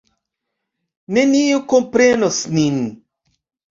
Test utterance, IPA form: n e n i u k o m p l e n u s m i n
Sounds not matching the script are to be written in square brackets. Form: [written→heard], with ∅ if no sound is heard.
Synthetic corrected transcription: n e n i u k o m p [l→ɾ] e n [u→o] s [m→n] i n